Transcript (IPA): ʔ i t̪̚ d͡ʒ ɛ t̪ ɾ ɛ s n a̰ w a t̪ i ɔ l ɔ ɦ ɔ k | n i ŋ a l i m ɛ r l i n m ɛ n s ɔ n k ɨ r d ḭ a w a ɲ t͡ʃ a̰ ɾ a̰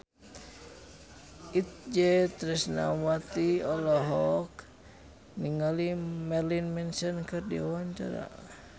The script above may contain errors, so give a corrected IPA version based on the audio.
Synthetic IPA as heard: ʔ i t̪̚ d͡ʒ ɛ t̪ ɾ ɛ s n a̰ w a t̪ i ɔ l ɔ ɦ ɔ k | n i ŋ a l i m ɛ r l i n m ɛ n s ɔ n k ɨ r d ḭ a w a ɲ t͡ʃ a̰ ɾ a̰